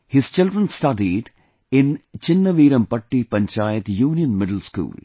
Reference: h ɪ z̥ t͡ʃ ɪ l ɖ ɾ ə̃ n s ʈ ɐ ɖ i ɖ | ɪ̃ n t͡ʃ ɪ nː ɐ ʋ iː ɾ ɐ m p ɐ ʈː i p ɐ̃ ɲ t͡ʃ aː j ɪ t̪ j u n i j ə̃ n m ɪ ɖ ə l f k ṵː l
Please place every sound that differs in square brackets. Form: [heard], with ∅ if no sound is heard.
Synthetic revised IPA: h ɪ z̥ t͡ʃ ɪ l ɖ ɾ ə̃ n s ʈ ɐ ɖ i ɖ | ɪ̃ n t͡ʃ ɪ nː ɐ ʋ iː ɾ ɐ m p ɐ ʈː i p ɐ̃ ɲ t͡ʃ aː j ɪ t̪ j [uː] n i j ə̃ n m ɪ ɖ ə l [s] k ṵː l